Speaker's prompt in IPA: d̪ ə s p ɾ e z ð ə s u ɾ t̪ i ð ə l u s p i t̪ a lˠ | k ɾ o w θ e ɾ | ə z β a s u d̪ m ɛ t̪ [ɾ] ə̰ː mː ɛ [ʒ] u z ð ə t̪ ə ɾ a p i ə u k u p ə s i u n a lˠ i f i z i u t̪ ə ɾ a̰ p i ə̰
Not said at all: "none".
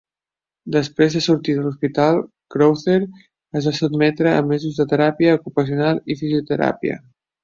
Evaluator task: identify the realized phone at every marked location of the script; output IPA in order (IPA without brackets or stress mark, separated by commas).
ɾ, z